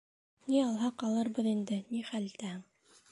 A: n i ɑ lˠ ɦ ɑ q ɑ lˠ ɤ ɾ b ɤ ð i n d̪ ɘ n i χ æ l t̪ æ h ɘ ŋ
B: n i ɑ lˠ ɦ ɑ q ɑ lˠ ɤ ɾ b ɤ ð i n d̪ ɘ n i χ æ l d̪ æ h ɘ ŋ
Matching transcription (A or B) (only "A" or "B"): A